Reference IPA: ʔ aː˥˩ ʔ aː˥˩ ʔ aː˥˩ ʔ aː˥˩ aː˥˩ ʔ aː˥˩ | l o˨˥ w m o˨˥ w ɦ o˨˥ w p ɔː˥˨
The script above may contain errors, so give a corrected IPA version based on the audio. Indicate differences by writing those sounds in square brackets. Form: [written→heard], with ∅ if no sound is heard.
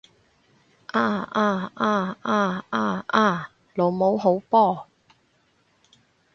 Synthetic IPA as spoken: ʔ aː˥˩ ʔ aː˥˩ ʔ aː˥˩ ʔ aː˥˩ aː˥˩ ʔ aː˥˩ | l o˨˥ w m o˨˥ w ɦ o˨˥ w p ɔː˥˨